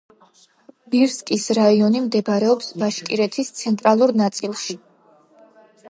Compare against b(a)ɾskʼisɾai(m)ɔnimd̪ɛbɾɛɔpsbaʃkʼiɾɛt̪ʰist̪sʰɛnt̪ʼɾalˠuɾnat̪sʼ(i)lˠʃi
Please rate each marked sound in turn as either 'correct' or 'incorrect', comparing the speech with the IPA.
incorrect: i, incorrect: none, correct

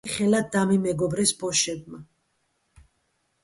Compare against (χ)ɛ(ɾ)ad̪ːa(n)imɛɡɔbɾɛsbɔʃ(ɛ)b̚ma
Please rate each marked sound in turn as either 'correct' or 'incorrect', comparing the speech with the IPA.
correct, incorrect: l, incorrect: m, correct

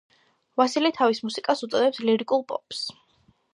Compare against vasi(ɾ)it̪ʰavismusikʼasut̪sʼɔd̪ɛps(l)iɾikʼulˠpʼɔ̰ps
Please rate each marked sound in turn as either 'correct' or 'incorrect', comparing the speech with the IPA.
incorrect: l, correct

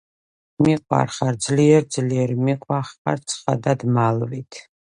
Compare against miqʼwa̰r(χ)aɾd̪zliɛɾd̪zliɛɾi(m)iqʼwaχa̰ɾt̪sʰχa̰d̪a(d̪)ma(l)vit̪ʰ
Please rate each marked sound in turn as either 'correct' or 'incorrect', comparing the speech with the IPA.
correct, correct, correct, correct

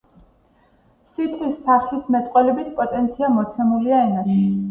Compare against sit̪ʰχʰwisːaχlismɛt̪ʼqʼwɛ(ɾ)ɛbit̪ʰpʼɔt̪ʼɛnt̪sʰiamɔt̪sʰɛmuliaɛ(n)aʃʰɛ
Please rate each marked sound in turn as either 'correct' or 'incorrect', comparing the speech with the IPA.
incorrect: l, correct

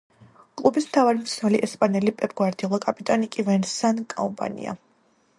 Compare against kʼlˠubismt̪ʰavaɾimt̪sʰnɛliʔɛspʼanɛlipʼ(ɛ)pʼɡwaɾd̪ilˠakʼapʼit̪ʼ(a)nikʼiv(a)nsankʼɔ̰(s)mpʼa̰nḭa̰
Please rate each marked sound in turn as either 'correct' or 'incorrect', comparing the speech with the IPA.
correct, correct, incorrect: ɛ, incorrect: none

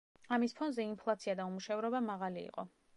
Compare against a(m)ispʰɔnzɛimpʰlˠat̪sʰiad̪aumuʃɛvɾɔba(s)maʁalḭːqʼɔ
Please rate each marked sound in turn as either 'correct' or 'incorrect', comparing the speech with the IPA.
correct, incorrect: none

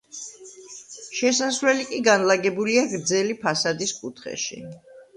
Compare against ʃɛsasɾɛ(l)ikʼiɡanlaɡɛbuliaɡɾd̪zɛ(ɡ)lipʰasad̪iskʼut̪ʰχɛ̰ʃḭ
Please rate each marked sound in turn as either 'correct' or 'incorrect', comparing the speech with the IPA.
correct, incorrect: none

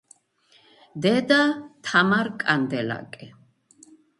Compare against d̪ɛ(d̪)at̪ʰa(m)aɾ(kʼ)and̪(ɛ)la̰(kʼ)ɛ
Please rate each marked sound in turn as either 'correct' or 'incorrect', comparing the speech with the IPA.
correct, correct, correct, correct, correct

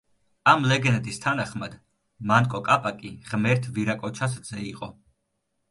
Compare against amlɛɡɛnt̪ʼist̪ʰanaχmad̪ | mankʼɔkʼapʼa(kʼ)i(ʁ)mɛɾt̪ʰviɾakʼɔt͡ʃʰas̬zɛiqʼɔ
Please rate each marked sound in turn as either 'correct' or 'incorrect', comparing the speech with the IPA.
correct, correct

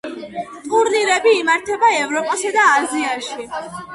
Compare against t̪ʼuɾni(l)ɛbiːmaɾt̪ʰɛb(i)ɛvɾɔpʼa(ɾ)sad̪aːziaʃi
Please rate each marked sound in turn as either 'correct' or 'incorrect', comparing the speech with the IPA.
incorrect: ɾ, incorrect: a, incorrect: none

